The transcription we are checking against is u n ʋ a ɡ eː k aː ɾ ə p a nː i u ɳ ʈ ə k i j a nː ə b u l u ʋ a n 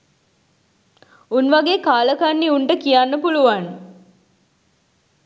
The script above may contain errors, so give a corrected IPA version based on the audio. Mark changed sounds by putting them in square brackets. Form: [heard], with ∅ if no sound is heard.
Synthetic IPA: u n ʋ a ɡ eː k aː [l] ə [k] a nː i u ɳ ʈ ə k i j a nː ə [p] u l u ʋ a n

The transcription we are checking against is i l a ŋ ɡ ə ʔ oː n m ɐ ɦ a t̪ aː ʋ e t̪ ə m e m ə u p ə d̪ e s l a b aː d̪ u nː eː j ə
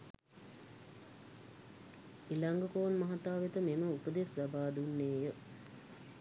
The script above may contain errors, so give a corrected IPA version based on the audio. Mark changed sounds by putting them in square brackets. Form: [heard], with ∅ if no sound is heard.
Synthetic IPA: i l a ŋ ɡ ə [k] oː n m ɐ ɦ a t̪ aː ʋ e t̪ ə m e m ə u p ə d̪ e s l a b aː d̪ u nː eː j ə

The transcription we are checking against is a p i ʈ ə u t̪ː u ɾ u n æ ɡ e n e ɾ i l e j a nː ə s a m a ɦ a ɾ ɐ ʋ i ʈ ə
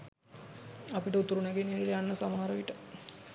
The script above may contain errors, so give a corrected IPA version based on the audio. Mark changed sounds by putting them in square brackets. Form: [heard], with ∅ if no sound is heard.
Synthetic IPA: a p i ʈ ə u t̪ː u ɾ u n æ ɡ e n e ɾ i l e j a nː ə s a m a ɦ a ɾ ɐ ʋ i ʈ ə

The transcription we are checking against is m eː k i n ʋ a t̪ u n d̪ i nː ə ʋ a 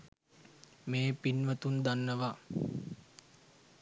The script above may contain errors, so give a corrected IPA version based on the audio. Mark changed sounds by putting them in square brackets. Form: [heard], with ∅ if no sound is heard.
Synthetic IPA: m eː [p] i n ʋ [ə] t̪ u n d̪ [a] nː ə ʋ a

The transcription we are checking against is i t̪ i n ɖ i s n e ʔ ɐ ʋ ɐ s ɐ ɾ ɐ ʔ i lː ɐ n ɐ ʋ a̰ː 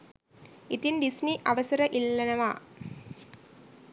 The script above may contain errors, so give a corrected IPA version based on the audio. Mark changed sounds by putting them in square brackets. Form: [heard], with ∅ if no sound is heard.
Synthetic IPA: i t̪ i n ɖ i s n [i] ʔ ɐ ʋ ɐ s ɐ ɾ ɐ ʔ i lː ɐ n ɐ ʋ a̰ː

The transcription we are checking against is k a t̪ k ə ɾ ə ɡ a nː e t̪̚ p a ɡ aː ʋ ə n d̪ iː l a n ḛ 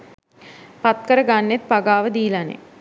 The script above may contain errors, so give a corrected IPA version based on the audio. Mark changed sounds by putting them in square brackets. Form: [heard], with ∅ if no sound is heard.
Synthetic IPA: [p] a t̪ k ə ɾ ə ɡ a nː e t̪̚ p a ɡ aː ʋ ə [∅] d̪ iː l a n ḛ

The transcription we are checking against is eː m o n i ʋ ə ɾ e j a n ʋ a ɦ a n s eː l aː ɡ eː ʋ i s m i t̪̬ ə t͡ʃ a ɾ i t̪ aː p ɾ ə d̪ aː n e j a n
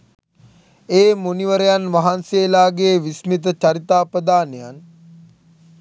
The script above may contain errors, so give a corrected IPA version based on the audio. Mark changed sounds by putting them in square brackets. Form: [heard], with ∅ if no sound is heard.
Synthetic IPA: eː m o n i ʋ ə ɾ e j a n ʋ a ɦ a n s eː l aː ɡ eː ʋ i s m i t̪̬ ə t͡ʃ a ɾ i t̪ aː p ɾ ə d̪ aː n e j a n

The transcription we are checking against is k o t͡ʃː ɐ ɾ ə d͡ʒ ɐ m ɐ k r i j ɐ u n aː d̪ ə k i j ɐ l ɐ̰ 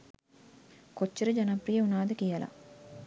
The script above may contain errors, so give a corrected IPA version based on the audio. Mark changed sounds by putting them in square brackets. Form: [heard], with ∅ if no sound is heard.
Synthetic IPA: k o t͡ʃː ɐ ɾ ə d͡ʒ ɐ [n] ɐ [p] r i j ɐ u n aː d̪ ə k i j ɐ l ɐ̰

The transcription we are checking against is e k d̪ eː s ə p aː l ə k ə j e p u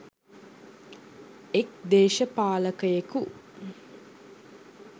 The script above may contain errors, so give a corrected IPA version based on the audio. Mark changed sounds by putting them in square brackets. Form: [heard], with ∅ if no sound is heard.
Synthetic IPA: e k d̪ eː [ʃ] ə p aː l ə k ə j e [k] u

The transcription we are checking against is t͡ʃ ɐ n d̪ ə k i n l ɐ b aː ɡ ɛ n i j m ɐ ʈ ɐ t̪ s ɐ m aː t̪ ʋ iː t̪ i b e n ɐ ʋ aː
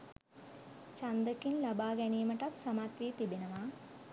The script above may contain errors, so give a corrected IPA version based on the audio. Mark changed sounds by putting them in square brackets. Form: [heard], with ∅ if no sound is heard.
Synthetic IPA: t͡ʃ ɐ n d̪ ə k i n l ɐ b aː ɡ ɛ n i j m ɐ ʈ ɐ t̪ s ɐ m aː t̪ ʋ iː t̪ i b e n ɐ ʋ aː

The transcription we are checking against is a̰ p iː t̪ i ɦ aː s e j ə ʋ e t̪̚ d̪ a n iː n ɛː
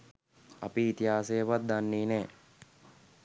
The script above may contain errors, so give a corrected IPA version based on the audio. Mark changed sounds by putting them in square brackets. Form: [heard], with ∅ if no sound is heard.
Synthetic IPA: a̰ p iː t̪ i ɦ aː s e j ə ʋ [a] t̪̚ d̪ a [nː] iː n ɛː

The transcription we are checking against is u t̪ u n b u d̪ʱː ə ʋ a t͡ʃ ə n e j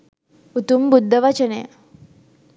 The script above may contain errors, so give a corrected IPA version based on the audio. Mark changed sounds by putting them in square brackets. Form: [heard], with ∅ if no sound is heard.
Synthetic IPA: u t̪ u [m] b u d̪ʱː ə ʋ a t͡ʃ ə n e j

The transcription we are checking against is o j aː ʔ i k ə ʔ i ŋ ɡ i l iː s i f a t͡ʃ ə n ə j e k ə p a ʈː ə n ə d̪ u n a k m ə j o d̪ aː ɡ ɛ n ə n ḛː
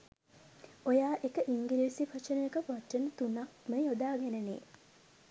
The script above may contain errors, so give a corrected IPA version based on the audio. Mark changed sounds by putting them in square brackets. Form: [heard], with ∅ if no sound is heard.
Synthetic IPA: o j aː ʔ [e] k ə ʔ i ŋ ɡ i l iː s i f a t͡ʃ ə n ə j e k ə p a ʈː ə n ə [t̪] u n a k m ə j o d̪ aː ɡ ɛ n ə n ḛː

